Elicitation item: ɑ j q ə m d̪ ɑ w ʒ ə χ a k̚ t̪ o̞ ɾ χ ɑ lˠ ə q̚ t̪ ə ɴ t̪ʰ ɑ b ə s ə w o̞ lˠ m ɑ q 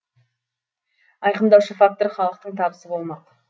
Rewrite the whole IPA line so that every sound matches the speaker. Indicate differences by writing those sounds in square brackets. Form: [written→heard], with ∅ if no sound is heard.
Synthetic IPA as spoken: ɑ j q ə m d̪ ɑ w [ʒ→ʃ] ə [χ→f] a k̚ t̪ o̞ ɾ χ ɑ lˠ ə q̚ t̪ ə ɴ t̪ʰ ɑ b ə s ə [w→b] o̞ lˠ m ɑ q